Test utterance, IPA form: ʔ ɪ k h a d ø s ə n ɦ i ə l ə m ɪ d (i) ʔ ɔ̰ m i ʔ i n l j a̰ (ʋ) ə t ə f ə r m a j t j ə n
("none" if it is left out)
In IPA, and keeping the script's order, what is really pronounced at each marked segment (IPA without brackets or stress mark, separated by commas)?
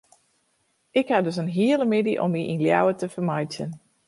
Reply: i, w